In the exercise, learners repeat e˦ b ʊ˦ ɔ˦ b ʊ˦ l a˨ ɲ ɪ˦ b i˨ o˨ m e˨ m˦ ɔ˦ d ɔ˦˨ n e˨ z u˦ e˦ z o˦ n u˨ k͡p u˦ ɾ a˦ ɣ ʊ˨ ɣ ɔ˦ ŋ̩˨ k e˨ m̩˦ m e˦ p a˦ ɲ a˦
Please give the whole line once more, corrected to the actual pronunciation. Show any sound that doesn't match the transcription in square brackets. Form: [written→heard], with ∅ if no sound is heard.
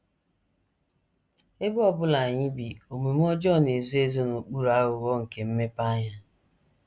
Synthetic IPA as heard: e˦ b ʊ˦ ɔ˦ b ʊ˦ l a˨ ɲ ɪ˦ b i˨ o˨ m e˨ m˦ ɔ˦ [d→d͡ʒ] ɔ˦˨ n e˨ z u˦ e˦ z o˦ n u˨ k͡p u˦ ɾ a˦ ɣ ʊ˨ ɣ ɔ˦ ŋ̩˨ k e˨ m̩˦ m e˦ p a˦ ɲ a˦